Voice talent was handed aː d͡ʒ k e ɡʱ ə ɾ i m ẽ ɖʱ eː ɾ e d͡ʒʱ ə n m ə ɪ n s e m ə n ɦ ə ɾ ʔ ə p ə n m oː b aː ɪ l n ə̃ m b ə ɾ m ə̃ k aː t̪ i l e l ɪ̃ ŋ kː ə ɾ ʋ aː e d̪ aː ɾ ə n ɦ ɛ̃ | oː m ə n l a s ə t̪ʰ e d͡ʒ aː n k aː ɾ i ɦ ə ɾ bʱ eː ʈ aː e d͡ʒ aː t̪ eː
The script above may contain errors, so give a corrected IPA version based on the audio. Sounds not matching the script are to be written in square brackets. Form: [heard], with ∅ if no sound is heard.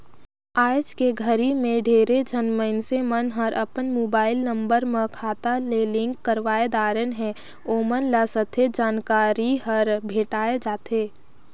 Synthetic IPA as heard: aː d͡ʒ k e ɡʱ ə ɾ i m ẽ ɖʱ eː ɾ e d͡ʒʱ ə n m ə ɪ n s e m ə n ɦ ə ɾ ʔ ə p ə n m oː b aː ɪ l n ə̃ m b ə ɾ m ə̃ [kʰ] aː t̪ [a] l e l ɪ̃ ŋ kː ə ɾ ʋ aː e d̪ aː ɾ ə n ɦ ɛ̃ | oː m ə n l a s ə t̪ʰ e d͡ʒ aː n k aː ɾ i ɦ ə ɾ bʱ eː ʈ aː e d͡ʒ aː t̪ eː